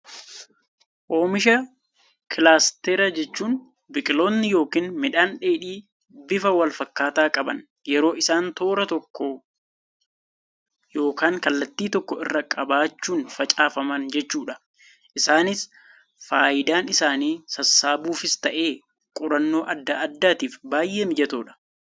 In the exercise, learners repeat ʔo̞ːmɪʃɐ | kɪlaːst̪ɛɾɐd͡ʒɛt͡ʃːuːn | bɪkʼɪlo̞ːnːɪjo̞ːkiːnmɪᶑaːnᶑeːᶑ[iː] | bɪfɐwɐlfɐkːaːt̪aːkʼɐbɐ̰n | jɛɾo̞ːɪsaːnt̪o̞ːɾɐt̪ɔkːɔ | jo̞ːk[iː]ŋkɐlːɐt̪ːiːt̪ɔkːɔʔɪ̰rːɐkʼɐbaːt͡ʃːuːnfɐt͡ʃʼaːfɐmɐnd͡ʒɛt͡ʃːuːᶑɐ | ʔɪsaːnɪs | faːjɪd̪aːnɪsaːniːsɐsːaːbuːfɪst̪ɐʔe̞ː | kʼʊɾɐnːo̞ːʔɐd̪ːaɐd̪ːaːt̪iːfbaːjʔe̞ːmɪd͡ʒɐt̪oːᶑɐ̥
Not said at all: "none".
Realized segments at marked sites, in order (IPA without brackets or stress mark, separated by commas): iː, aː